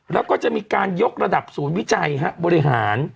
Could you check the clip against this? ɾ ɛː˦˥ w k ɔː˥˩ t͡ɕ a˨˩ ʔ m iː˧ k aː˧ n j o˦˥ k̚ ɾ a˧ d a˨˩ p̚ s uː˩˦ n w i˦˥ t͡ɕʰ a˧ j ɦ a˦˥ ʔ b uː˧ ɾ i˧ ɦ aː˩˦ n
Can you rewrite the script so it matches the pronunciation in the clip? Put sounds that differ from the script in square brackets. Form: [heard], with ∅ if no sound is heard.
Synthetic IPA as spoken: ɾ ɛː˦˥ w k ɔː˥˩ t͡ɕ a˨˩ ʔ m iː˧ k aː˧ n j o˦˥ k̚ ɾ a˧ d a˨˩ p̚ s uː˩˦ n w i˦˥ [t͡ɕ] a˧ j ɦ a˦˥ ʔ b [ɔː˧] ɾ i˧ ɦ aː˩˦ n